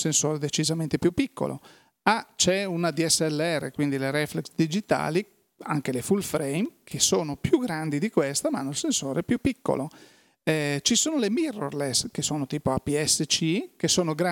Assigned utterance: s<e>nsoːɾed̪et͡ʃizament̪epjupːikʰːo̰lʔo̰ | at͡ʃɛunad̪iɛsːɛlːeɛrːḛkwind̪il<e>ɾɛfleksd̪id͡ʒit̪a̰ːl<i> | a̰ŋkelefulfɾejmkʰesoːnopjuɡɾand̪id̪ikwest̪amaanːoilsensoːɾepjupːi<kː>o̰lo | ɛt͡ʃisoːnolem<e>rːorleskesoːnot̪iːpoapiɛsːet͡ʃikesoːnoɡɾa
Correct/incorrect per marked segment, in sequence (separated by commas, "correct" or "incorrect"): correct, correct, correct, correct, incorrect